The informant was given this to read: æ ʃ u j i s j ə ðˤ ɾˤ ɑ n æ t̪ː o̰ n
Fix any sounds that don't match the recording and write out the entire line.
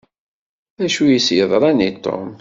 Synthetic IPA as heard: æ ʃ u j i s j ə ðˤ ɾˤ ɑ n i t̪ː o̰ m

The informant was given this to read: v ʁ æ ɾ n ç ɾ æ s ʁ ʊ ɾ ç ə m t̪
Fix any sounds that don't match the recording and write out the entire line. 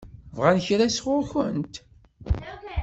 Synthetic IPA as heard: v ʁ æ n ç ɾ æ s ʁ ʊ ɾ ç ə n t̪

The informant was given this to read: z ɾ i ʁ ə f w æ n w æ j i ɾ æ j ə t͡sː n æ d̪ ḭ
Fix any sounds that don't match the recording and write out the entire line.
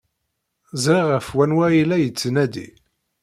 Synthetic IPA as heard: z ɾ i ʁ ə f w æ n w æ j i l æ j ə t͡sː n æ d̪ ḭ

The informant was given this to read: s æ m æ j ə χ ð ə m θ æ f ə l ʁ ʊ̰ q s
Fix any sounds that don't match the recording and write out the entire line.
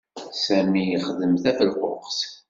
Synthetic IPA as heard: s æ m i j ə χ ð ə m θ æ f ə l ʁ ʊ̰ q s

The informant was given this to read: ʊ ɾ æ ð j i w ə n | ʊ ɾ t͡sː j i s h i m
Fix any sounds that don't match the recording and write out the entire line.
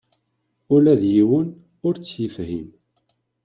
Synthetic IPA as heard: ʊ l æ ð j i w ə n | ʊ ɾ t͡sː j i f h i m

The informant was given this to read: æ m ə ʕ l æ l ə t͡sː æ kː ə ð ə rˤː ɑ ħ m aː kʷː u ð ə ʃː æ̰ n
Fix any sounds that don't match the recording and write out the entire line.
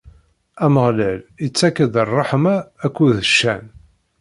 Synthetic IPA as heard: æ m ə ʁ l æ l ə t͡sː æ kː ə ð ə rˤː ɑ ħ m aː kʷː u ð ə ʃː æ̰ n

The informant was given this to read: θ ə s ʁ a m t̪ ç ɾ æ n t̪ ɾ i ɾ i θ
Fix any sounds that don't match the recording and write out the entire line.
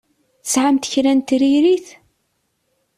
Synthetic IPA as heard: θ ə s ʕ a m t̪ ç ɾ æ n t̪ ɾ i ɾ i θ

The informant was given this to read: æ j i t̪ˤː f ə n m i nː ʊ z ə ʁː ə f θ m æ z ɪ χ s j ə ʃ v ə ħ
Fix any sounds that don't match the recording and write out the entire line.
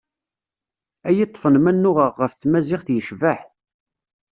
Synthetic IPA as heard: æ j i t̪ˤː f ə n m æ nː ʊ ʁ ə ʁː ə f θ m æ z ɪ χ θ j ə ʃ v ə ħ

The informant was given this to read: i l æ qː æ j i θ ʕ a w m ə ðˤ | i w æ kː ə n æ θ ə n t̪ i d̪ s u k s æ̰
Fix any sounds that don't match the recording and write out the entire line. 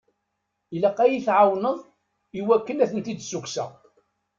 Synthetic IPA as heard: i l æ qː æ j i θ ʕ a w n ə ðˤ | i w æ kː ə n æ θ ə n t̪ i d̪ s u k s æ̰

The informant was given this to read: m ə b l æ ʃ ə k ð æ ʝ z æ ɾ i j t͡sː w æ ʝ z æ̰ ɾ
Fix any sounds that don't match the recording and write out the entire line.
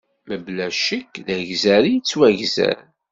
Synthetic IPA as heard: m ə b l æ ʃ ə k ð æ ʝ z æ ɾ i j t͡sː w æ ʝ z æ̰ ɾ

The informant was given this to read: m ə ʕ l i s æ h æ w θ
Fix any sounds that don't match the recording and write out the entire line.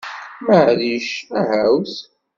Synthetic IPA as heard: m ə ʕ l i ʃ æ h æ w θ

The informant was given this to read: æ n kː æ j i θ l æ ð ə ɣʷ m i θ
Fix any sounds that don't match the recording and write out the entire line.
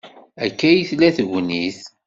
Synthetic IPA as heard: æ kː æ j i θ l æ θ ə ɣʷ n i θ

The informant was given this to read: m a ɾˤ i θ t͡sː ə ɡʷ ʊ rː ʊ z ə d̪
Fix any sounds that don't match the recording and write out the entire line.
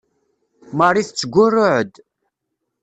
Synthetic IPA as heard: m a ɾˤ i θ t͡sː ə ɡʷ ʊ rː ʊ ʕ ə d̪

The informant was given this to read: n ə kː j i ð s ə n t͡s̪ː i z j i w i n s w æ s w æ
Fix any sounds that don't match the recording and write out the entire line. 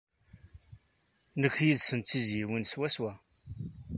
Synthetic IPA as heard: n ə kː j i ð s ə n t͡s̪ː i z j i w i n s w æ s w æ

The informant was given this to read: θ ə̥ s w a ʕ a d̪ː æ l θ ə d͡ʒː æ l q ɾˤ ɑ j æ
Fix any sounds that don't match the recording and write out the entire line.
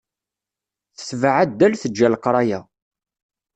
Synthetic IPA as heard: θ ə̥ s v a ʕ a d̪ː æ l θ ə d͡ʒː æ l q ɾˤ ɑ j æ

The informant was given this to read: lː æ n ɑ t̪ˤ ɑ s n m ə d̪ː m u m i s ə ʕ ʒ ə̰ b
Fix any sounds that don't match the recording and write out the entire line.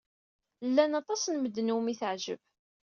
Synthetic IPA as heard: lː æ n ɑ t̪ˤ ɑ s n m ə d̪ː n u m i θ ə ʕ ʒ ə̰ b

